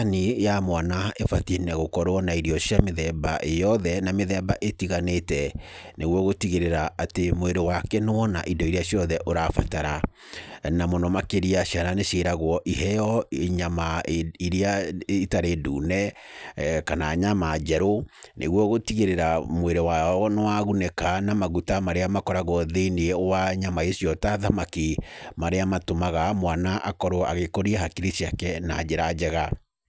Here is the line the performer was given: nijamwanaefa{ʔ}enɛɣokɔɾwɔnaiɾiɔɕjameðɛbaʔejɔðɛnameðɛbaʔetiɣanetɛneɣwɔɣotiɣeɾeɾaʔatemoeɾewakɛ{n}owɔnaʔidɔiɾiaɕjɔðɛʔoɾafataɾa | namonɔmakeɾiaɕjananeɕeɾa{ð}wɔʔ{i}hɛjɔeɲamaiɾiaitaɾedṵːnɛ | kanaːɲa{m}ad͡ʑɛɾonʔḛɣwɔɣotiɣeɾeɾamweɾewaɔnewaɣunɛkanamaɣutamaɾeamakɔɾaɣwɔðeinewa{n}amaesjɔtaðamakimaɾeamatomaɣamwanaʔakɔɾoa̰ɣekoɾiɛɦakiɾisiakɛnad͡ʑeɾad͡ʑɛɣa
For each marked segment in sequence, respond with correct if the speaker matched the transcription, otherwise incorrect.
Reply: incorrect, correct, incorrect, correct, correct, incorrect

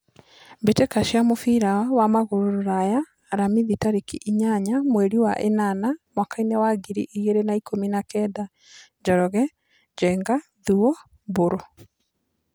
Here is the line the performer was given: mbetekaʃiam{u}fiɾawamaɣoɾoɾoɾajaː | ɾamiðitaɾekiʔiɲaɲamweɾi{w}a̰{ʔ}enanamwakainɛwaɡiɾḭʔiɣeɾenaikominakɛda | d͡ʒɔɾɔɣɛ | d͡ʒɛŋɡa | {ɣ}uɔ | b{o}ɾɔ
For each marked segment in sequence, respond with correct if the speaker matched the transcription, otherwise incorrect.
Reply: incorrect, correct, correct, incorrect, correct

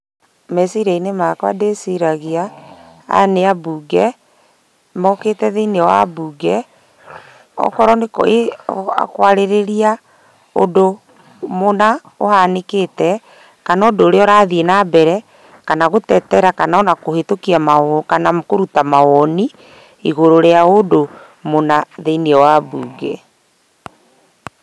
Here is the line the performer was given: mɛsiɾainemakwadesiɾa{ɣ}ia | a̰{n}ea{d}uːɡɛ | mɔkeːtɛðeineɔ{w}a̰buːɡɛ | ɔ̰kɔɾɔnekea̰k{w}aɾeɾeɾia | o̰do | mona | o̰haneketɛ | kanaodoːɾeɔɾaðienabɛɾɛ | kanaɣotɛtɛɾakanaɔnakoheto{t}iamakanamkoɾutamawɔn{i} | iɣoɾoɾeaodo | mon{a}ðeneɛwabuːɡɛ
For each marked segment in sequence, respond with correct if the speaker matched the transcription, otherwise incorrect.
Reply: correct, correct, incorrect, correct, correct, incorrect, correct, correct

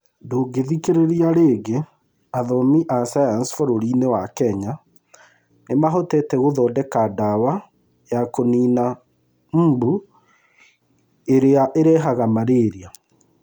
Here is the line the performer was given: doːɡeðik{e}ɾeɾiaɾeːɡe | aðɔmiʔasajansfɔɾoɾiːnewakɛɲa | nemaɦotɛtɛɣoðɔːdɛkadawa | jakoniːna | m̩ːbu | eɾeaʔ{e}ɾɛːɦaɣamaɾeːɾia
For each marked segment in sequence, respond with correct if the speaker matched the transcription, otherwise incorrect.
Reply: correct, correct

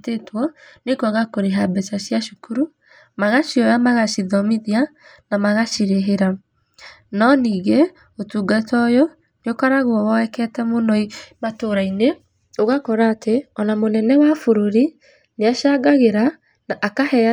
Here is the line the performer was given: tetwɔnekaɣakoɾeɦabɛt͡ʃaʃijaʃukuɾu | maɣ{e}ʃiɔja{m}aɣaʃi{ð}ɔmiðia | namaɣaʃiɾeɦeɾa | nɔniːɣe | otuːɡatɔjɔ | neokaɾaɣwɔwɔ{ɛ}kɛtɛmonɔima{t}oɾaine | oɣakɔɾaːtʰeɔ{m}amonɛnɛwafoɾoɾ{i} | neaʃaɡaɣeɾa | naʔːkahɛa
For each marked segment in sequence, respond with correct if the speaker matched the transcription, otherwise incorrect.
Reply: incorrect, correct, correct, correct, correct, incorrect, correct

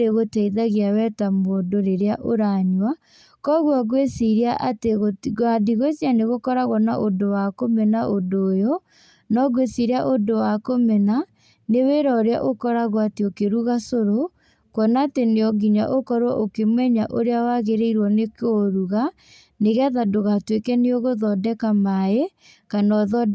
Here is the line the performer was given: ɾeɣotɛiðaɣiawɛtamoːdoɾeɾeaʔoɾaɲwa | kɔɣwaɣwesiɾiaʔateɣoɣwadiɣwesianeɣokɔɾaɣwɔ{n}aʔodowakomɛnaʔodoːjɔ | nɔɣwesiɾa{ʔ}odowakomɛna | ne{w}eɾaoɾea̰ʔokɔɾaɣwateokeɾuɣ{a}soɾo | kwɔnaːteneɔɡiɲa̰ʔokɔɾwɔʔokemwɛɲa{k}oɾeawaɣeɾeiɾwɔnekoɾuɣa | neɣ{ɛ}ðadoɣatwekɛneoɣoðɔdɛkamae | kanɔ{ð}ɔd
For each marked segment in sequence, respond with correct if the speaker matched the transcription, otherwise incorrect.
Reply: correct, correct, correct, correct, incorrect, incorrect, correct

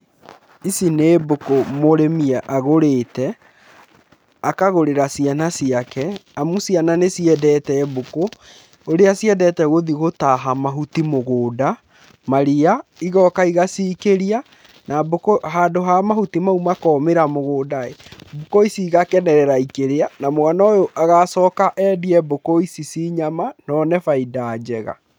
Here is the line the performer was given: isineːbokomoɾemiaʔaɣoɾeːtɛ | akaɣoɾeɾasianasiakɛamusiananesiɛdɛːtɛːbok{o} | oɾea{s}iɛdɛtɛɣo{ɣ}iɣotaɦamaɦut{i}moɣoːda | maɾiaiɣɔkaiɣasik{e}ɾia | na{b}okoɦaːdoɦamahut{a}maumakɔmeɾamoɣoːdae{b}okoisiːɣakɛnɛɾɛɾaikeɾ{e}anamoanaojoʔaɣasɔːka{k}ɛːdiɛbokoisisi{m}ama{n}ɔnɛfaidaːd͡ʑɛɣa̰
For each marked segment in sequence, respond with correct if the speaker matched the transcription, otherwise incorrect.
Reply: correct, correct, incorrect, correct, correct, correct, incorrect, correct, correct, incorrect, incorrect, correct

